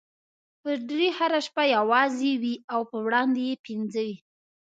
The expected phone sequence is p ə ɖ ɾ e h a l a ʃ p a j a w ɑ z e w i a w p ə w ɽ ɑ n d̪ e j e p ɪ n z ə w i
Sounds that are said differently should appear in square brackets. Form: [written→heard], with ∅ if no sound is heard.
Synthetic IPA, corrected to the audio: p ə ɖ ɾ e h a [l→ɾ] a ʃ p a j a w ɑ z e w i a w p ə w ɽ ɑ n d̪ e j e p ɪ n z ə w i